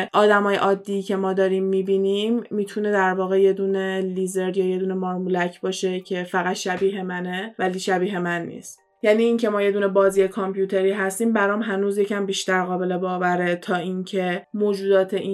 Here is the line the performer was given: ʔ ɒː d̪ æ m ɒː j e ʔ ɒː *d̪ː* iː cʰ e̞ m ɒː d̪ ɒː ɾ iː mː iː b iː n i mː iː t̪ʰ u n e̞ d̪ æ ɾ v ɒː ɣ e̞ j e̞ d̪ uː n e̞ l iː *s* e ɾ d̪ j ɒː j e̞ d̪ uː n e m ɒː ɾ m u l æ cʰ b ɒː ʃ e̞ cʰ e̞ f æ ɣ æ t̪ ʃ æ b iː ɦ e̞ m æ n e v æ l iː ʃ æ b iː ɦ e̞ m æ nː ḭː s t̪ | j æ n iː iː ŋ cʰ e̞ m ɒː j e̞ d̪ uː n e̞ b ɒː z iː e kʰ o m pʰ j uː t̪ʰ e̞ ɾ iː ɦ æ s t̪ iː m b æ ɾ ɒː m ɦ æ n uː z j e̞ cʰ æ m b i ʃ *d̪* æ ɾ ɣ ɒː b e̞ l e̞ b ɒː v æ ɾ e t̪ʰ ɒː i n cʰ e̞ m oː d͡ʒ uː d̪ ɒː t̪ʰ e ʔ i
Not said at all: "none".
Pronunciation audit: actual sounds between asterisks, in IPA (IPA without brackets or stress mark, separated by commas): d̪ː, z, t̪